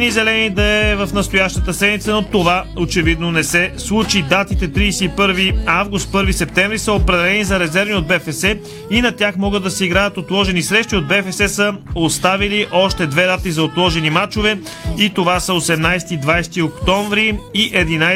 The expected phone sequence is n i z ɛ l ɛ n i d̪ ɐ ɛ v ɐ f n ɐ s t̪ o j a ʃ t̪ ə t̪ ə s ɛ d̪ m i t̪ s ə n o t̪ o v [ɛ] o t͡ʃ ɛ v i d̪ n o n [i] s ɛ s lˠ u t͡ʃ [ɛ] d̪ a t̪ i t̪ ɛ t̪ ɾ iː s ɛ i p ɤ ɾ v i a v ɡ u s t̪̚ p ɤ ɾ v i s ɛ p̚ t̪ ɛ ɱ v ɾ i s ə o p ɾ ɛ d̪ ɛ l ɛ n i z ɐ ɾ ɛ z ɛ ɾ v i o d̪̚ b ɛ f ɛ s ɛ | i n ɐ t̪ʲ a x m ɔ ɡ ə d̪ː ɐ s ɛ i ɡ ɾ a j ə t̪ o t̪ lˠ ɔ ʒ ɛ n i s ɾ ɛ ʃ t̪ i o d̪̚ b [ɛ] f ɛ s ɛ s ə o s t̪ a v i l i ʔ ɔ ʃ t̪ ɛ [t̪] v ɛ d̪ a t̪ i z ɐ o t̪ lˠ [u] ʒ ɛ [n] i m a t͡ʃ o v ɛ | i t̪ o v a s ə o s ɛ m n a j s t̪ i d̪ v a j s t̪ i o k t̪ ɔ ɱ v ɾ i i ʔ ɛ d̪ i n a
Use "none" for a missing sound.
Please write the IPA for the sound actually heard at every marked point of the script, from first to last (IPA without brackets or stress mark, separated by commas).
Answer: a, ɛ, i, ɛ, d̪, ɔ, n